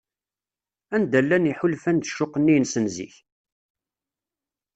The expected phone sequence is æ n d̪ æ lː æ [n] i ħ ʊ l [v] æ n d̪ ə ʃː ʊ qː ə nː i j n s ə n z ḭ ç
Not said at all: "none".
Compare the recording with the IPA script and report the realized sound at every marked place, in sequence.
n, f

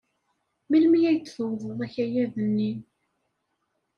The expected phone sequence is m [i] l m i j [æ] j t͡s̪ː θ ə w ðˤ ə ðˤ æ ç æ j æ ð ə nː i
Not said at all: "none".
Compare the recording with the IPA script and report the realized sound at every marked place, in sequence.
i, æ

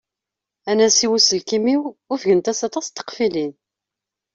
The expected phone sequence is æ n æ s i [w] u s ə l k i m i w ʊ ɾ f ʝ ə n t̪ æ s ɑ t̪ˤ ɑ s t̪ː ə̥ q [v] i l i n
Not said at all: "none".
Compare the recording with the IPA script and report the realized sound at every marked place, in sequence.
w, f

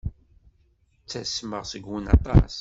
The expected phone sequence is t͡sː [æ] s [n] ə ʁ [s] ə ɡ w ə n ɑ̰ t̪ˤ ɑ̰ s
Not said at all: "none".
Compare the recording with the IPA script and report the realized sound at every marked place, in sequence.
æ, m, s

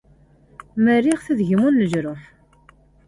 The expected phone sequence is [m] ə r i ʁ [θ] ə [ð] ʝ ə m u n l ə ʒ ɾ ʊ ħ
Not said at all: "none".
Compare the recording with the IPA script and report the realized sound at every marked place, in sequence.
m, θ, ð

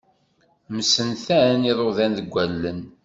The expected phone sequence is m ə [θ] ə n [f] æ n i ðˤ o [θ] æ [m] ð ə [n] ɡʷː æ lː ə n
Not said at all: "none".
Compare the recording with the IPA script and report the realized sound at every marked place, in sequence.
s, θ, ð, n, none

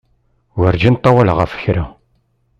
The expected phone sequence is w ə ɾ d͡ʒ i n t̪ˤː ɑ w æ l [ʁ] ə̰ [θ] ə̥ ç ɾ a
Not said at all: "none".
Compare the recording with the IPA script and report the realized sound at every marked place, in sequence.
ʁ, f

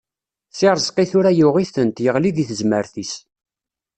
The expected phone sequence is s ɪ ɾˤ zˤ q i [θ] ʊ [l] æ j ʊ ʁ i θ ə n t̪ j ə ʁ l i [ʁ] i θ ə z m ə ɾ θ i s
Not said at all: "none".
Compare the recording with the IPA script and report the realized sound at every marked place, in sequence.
θ, ɾ, ð

